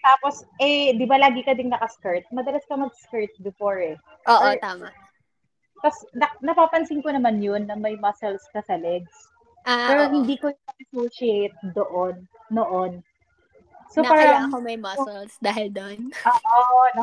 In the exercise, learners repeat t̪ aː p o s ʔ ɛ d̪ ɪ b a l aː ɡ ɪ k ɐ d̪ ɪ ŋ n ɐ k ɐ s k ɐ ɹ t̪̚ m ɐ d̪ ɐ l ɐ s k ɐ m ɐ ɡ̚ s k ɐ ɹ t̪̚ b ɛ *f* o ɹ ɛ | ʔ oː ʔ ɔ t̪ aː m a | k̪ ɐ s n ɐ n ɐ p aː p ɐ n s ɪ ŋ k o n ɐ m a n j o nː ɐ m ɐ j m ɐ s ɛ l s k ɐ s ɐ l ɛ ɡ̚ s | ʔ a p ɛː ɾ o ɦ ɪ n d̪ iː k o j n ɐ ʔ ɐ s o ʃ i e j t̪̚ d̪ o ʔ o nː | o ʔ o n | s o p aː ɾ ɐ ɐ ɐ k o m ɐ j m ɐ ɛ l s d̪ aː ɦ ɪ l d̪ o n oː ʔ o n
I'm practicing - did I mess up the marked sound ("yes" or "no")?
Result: no